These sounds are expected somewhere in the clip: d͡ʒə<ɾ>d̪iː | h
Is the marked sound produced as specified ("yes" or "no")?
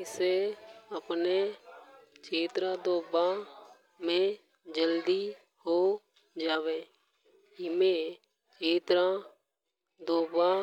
no